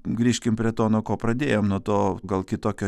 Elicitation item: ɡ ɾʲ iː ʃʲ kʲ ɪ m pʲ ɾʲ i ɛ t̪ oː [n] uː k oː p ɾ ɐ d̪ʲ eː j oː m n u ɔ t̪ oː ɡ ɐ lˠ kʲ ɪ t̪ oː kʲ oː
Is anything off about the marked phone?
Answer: no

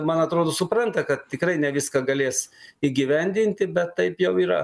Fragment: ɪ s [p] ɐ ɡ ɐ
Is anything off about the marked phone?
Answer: yes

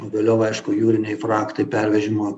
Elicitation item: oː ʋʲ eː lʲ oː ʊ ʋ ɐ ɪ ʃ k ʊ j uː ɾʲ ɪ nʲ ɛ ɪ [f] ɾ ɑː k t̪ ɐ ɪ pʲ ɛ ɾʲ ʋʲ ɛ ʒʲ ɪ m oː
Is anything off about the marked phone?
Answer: no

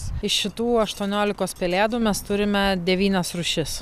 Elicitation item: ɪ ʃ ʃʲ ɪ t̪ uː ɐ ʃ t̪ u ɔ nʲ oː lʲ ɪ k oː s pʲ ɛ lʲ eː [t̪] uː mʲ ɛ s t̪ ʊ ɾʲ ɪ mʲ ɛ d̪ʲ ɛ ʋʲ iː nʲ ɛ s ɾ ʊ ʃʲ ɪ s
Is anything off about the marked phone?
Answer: yes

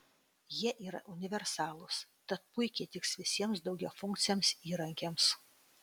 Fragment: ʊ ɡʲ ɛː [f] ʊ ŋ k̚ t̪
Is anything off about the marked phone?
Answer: no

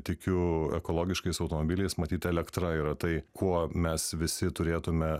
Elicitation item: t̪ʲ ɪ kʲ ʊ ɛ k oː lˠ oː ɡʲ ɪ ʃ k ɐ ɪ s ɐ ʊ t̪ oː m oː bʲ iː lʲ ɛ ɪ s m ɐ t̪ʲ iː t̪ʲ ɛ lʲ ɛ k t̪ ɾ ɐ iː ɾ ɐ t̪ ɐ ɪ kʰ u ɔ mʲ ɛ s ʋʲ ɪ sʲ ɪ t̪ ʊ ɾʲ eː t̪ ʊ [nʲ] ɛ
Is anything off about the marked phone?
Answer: yes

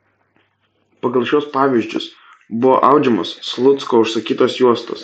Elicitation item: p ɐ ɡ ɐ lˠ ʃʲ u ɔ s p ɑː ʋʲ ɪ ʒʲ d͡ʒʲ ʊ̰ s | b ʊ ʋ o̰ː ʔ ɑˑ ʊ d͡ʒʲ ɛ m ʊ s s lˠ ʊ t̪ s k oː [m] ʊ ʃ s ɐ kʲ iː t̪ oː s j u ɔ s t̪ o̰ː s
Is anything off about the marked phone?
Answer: yes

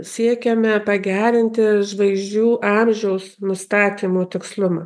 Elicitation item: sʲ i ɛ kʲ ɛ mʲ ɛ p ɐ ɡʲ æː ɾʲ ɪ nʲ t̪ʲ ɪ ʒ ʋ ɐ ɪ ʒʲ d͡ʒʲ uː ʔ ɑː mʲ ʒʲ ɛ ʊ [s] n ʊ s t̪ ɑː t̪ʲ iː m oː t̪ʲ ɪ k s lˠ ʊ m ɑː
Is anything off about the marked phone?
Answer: no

